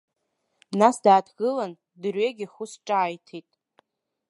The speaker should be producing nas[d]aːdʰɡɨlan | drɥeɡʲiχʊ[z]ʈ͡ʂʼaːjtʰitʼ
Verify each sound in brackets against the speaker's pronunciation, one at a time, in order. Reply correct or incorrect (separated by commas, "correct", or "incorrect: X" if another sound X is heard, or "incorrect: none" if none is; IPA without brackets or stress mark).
correct, incorrect: s